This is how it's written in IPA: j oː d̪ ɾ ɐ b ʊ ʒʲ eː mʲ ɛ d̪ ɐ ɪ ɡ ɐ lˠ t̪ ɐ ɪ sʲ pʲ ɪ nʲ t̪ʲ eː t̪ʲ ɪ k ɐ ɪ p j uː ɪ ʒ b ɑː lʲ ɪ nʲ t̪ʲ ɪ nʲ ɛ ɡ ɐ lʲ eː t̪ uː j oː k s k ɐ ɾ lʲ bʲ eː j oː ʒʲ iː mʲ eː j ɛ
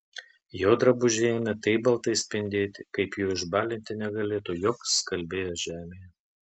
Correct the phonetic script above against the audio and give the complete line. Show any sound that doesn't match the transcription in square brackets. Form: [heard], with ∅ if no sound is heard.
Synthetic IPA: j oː d̪ ɾ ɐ b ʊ ʒʲ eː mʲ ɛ [t̪] ɐ ɪ [b] ɐ lˠ t̪ ɐ ɪ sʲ pʲ ɪ nʲ [d̪ʲ] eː t̪ʲ ɪ k ɐ ɪ p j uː ɪ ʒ b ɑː lʲ ɪ nʲ t̪ʲ ɪ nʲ ɛ ɡ ɐ lʲ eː t̪ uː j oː k s k ɐ [∅] lʲ bʲ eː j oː ʒʲ [æː] mʲ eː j ɛ